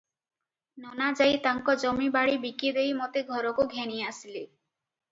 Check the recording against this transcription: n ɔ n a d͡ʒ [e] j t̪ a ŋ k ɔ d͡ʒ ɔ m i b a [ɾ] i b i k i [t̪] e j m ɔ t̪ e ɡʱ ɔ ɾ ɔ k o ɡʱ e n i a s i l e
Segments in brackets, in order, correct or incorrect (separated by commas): incorrect, incorrect, incorrect